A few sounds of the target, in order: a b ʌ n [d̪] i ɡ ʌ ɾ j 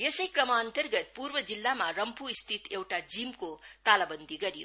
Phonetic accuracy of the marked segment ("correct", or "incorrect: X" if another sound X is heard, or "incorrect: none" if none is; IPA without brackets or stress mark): correct